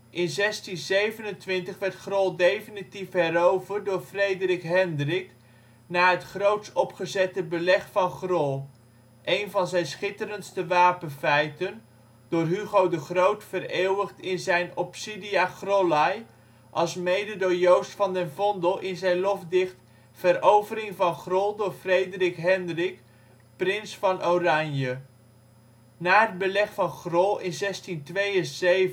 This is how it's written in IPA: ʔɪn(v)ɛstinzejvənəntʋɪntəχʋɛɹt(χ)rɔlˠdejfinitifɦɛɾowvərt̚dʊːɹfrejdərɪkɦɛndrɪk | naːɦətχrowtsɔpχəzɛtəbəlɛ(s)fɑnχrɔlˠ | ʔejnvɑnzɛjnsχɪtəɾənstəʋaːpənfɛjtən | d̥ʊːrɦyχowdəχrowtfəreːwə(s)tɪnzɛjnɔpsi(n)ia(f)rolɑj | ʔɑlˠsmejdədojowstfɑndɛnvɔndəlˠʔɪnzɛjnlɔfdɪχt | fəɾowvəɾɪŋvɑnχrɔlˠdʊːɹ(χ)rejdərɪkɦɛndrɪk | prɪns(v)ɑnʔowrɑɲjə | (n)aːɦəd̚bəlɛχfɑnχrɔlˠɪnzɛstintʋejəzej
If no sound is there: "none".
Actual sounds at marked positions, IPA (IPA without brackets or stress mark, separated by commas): z, χ, χ, χ, d, χ, f, f, n